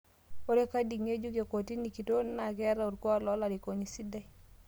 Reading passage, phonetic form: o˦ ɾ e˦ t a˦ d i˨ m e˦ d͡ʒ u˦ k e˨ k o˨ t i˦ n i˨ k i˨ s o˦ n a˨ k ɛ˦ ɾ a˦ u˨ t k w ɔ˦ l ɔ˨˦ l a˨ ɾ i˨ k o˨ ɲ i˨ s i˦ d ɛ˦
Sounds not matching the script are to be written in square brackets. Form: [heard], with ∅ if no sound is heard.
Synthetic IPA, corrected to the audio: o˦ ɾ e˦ [k] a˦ d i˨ [ŋ] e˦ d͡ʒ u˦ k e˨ k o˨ t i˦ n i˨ k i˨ [t] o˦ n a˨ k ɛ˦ ɾ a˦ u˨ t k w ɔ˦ l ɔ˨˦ l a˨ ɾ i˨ k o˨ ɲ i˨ s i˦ d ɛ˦